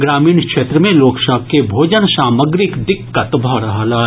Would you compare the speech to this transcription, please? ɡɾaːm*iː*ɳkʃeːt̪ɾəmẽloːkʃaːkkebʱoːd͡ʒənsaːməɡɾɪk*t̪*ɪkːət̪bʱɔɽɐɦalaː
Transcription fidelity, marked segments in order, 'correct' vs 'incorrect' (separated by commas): correct, incorrect